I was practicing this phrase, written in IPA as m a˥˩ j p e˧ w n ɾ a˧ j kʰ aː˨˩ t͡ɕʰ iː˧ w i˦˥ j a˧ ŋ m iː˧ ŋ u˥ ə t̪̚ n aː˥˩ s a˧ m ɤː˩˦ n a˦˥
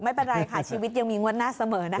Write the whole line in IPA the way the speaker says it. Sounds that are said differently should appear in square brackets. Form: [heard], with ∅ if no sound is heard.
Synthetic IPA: m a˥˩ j p e˧ [∅] n ɾ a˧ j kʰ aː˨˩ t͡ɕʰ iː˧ w i˦˥ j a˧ ŋ m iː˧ ŋ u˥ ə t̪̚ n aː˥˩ s a˧ m ɤː˩˦ n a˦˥